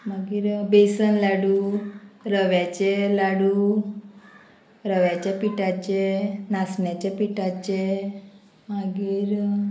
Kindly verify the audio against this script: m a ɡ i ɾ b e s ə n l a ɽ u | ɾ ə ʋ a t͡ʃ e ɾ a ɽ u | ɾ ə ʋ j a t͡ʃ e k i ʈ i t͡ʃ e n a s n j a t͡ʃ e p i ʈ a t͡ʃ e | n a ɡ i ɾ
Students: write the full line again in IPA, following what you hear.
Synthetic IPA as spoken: m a ɡ i ɾ b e s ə n l a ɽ u | ɾ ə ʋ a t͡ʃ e l a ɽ u | ɾ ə ʋ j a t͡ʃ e p i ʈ a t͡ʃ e n a s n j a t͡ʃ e p i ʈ a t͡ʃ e | m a ɡ i ɾ